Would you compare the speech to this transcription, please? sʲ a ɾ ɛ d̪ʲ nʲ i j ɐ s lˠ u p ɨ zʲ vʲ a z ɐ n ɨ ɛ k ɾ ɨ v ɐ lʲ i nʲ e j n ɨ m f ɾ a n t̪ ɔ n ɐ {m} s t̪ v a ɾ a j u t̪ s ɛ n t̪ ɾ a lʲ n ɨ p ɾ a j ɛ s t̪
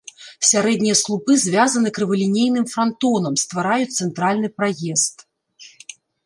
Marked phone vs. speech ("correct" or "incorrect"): correct